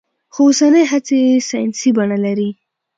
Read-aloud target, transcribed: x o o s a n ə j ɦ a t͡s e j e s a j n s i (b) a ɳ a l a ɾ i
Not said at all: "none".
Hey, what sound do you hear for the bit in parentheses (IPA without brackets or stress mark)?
b